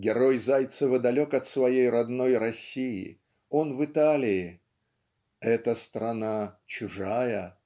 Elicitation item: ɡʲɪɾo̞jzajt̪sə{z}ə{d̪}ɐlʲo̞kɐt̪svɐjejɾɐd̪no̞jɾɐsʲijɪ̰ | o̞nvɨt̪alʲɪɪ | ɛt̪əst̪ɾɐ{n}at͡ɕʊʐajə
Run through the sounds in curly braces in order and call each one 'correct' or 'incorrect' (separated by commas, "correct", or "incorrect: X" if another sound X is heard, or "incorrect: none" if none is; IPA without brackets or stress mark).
incorrect: v, correct, correct